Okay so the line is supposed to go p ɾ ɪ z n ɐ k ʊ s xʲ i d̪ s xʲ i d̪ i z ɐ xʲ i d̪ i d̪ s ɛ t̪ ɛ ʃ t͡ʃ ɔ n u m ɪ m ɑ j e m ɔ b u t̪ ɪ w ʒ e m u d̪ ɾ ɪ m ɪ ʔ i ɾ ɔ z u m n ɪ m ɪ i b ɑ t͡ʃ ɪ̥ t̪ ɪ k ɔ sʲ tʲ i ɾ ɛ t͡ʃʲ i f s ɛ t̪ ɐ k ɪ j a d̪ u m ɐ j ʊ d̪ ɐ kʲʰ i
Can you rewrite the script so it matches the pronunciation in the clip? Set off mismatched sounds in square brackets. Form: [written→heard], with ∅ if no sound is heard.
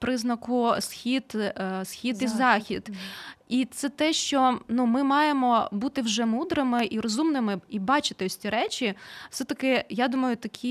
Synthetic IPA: p ɾ ɪ z n ɐ k ʊ s xʲ i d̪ s xʲ i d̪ i z [ɐ→ɑ] xʲ i d̪ i [d̪→t̪] s ɛ t̪ ɛ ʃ t͡ʃ ɔ n u m ɪ m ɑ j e m ɔ b u t̪ ɪ w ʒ [e→ɛ] m u d̪ ɾ ɪ m ɪ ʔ i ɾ ɔ z u m n ɪ m ɪ i b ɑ t͡ʃ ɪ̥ t̪ ɪ [k→∅] ɔ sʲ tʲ i ɾ ɛ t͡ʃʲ i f s ɛ t̪ ɐ k ɪ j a d̪ u m ɐ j ʊ [d̪→t̪] ɐ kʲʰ i